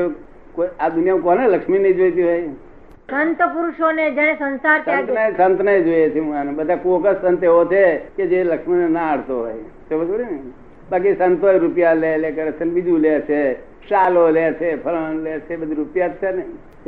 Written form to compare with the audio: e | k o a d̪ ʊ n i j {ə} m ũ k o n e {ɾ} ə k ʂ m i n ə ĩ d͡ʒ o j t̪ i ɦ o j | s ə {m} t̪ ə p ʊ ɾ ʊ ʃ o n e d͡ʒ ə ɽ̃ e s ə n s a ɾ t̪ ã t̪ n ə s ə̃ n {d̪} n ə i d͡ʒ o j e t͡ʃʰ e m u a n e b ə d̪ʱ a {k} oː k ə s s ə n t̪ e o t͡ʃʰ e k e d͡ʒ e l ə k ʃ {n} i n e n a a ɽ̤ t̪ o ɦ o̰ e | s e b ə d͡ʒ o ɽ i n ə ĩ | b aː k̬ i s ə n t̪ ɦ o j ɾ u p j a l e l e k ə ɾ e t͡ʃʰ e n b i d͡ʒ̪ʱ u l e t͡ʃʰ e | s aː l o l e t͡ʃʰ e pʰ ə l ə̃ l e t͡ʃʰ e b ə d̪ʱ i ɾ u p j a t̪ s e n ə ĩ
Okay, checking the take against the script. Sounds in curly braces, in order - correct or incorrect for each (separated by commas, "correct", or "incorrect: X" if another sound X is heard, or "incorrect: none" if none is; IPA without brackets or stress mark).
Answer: incorrect: a, incorrect: l, incorrect: n, incorrect: t̪, correct, incorrect: m